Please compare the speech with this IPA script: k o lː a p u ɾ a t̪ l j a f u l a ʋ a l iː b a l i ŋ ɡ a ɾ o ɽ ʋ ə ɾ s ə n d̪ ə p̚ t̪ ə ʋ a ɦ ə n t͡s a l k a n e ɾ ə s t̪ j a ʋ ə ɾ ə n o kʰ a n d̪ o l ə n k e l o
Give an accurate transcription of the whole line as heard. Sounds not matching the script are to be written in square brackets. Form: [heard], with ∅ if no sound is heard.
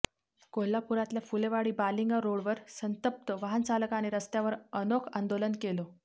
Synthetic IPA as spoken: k o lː a p u ɾ a t̪ l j a f u l [e] ʋ a [ɽ] iː b a l i ŋ ɡ a ɾ o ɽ ʋ ə ɾ s ə n [t̪] ə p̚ t̪ ə ʋ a ɦ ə n t͡s a l k a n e ɾ ə s t̪ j a ʋ ə ɾ ə n o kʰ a n d̪ o l ə n k e l o